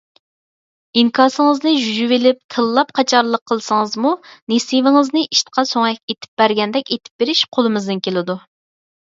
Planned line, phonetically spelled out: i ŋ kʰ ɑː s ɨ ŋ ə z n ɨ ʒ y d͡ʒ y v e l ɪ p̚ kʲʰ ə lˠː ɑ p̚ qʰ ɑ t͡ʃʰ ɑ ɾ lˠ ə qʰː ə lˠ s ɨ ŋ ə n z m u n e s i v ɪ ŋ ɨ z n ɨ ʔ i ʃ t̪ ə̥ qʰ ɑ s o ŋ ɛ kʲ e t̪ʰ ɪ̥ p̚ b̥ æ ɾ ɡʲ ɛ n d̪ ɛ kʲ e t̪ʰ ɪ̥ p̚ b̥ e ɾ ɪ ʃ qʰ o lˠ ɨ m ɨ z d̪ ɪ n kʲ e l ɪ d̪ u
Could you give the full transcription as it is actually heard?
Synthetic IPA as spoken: i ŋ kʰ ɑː s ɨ ŋ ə z n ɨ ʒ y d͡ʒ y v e l ɪ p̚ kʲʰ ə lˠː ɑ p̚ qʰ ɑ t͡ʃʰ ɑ ɾ lˠ ə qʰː ə lˠ s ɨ ŋ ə z m u n e s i v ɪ ŋ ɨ z n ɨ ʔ i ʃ t̪ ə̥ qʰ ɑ s o ŋ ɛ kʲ e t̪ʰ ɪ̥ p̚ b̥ æ ɾ ɡʲ ɛ n d̪ ɛ kʲ e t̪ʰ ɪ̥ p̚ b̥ e ɾ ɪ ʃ qʰ o lˠ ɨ m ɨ z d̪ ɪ n kʲ e l ɪ d̪ u